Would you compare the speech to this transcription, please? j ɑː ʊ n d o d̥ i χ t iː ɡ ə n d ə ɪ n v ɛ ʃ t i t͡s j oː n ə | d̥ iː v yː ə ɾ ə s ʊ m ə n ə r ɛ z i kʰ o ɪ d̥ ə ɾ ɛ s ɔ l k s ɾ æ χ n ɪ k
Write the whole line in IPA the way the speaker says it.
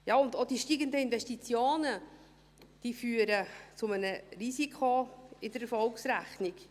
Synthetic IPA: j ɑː ʊ n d o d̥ i ʃ t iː ɡ ə n d ə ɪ n v ɛ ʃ t i t͡s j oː n ə | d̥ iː f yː ə ɾ ə t͡s ʊ m ə n ə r i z i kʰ o ɪ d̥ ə ɾ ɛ f ɔ l k s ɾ æ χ n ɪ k

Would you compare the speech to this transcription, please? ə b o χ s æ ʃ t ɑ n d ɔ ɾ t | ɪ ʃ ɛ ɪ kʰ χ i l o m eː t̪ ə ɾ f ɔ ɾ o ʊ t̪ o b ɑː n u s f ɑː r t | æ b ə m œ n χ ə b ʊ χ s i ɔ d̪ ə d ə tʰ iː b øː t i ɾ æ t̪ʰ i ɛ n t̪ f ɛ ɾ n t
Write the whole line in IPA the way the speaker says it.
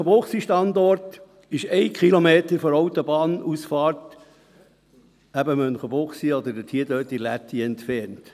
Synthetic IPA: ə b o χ s i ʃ t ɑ n d ɔ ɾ t | ɪ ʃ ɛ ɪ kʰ χ i l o m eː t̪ ə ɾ f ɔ ɾ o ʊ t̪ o b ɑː n u s f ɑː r t | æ b ə m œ n χ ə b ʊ χ s i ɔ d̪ ə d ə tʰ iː d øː t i l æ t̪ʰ i ɛ n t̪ f ɛ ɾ n t

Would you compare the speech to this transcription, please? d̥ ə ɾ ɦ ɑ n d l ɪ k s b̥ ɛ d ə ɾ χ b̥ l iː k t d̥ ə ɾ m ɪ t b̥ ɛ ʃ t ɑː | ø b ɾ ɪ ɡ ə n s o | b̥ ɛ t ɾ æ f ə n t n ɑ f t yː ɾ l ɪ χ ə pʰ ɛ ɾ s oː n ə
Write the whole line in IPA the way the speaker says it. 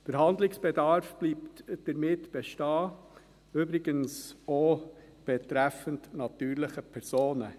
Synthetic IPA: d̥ ə ɾ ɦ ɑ n d l ɪ k s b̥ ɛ d ɑ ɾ f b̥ l iː p t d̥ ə ɾ m ɪ t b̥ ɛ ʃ t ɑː | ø b ɾ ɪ ɡ ə n s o | b̥ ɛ t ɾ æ f ə n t n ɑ t yː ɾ l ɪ χ ə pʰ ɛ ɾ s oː n ə

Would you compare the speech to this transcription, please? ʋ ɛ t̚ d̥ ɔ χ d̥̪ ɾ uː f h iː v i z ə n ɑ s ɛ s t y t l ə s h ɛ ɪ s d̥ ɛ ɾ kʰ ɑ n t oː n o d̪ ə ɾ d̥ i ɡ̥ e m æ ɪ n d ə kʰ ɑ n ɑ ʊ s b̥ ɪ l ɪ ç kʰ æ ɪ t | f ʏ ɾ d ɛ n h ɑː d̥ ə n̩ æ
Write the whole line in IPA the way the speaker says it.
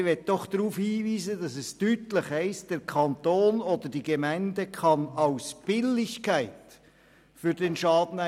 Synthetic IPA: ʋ ɛ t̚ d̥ ɔ χ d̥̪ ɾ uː f h iː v iː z ə d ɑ s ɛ s t y t l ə χ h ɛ ɪ s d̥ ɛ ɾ kʰ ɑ n t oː n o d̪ ə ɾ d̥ i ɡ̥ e m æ ɪ n d ə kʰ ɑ n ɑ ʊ s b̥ ɪ l ɪ ç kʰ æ ɪ t | f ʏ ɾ d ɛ n ʃ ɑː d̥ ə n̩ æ

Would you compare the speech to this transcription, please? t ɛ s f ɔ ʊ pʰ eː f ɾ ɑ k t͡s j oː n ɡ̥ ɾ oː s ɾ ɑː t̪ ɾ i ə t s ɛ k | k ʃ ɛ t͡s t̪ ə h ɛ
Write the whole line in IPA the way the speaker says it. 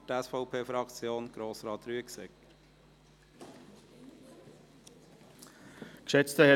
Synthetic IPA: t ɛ s f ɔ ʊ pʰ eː f ɾ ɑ k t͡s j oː n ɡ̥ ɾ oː s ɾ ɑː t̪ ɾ y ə k s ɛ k | k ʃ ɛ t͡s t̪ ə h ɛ

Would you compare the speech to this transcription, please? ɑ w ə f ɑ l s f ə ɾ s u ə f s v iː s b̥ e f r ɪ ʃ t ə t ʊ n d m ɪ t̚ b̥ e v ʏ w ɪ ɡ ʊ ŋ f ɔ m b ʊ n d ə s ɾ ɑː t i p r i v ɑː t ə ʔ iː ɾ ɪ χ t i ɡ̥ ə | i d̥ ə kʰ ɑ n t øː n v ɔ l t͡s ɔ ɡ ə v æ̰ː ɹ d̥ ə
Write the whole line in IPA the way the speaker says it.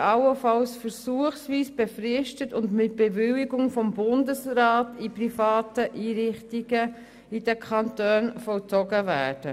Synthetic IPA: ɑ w ə f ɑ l s f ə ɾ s u ə χ s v iː s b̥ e f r ɪ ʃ t ə t ʊ n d m ɪ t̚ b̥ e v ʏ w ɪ ɡ ʊ ŋ f ɔ m b ʊ n d ə s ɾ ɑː t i p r i f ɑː t ə ʔ iː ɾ ɪ χ t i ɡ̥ ə | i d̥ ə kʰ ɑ n t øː n f ɔ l t͡s ɔ ɡ ə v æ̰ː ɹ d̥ ə

